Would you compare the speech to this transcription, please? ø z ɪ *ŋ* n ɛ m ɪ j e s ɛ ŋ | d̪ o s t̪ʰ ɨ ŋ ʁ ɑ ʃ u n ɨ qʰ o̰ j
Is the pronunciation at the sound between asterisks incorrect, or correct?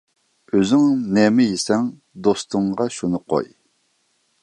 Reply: correct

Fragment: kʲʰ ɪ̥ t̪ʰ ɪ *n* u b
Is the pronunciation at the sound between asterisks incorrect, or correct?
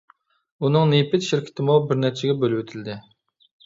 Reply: incorrect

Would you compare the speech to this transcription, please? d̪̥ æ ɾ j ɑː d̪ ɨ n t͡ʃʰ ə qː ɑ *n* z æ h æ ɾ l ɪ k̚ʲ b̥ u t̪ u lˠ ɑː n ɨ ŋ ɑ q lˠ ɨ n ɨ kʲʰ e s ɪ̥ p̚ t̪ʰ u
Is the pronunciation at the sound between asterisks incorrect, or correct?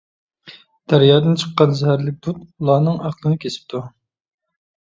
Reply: correct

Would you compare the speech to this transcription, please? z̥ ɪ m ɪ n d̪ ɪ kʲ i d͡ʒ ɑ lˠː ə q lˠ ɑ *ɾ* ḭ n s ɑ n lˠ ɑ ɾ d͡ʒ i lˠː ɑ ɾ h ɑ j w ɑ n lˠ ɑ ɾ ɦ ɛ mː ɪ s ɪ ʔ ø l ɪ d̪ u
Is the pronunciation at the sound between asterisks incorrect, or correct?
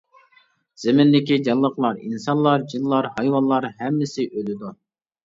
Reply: correct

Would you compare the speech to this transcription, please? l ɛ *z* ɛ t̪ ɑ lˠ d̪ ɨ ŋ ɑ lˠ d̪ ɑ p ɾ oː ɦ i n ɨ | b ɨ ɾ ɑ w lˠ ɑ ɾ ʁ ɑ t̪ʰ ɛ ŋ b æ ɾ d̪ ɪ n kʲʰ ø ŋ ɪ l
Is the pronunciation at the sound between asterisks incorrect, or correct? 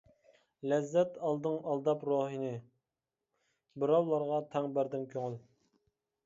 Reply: incorrect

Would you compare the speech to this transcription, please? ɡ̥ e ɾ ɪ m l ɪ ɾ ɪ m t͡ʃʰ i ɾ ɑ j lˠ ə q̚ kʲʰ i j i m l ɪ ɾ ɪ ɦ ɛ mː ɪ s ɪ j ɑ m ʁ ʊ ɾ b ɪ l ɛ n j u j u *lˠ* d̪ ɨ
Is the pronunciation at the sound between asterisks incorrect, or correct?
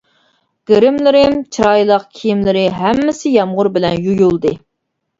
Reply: correct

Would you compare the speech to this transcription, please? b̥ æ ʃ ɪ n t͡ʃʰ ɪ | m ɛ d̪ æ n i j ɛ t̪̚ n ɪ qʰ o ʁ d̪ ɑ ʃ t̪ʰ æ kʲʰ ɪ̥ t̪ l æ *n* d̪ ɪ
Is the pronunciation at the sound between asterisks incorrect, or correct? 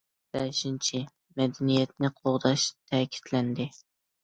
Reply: correct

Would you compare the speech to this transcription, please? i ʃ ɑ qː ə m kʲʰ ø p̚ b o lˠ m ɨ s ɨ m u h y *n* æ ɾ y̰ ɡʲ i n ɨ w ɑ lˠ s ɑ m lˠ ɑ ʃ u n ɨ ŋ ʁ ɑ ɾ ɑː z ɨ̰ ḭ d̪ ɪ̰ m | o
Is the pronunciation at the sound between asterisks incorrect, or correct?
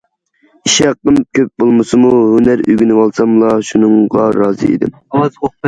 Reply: correct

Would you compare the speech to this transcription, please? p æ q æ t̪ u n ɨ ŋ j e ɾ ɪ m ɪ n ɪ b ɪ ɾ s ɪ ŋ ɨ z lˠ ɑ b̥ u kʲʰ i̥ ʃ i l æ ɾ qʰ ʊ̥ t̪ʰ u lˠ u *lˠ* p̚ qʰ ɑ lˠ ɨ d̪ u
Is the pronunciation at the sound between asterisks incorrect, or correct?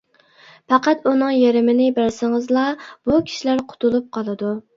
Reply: incorrect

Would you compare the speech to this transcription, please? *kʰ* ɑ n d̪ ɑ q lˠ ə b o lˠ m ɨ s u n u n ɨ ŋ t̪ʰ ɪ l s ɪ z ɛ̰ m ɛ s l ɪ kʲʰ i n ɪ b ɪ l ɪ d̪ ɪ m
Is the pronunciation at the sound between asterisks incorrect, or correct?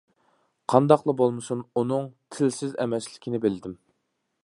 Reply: incorrect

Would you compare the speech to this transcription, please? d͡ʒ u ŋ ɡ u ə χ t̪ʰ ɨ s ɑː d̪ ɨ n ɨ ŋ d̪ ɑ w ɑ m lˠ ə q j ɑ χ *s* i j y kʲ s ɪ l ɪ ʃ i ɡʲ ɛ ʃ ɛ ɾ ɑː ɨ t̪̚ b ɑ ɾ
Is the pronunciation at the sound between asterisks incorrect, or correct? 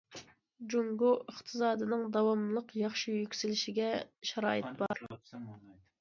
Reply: incorrect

